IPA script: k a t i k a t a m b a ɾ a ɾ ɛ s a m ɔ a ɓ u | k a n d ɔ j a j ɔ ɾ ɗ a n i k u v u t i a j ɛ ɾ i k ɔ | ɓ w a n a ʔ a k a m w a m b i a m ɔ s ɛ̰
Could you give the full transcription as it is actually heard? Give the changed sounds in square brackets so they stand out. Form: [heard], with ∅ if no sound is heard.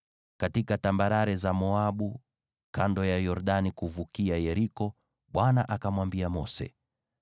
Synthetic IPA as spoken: k a t i k a t a m b a ɾ a ɾ ɛ [z] a m ɔ a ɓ u | k a n d ɔ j a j ɔ ɾ ɗ a n i k u v u [k] i a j ɛ ɾ i k ɔ | ɓ w a n a ʔ a k a m w a m b i a m ɔ s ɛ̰